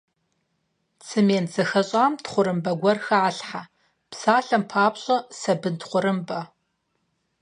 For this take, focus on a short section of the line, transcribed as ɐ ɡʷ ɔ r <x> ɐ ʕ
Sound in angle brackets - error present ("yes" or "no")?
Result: no